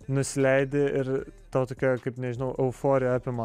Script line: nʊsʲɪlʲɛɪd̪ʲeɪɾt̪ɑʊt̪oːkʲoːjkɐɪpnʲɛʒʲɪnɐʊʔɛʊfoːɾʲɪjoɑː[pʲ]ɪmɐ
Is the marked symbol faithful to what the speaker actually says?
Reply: yes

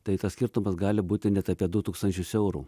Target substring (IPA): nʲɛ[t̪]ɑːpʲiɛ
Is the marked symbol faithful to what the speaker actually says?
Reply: yes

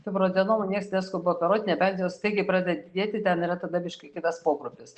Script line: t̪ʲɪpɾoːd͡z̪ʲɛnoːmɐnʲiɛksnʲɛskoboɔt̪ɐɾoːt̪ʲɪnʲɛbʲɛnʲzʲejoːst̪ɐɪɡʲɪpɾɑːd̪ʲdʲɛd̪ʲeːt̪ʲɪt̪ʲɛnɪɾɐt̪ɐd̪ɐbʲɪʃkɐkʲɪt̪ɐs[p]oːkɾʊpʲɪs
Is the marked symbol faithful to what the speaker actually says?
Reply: yes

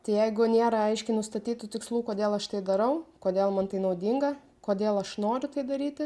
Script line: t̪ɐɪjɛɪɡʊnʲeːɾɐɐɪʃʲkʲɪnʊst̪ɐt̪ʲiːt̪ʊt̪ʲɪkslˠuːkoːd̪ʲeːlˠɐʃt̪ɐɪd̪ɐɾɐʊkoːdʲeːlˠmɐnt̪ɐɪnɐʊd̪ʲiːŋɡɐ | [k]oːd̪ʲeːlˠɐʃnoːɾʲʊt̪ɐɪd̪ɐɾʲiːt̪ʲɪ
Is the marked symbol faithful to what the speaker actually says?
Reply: yes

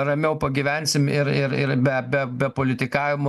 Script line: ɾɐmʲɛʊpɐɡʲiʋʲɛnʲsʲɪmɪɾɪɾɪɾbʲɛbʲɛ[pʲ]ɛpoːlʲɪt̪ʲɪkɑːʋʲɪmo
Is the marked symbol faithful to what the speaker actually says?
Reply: no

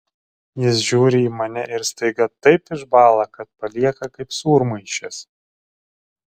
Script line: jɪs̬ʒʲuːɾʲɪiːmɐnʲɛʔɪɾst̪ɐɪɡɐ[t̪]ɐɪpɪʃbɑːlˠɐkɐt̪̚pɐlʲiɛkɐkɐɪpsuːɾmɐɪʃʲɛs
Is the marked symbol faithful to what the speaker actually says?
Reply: yes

